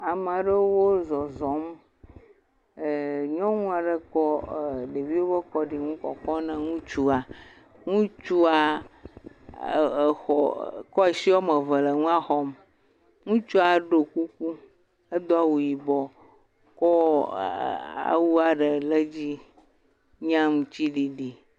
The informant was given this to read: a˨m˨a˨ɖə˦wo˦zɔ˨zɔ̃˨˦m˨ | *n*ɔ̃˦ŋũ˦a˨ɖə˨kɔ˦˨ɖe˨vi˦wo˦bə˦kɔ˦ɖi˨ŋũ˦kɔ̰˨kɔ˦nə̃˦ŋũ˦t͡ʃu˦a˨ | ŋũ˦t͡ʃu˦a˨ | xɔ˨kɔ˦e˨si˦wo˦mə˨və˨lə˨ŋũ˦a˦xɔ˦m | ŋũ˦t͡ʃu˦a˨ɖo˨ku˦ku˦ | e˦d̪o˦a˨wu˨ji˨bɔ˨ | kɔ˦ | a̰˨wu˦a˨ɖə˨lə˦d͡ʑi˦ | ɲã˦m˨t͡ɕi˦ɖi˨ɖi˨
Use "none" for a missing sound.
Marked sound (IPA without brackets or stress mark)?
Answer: ɲ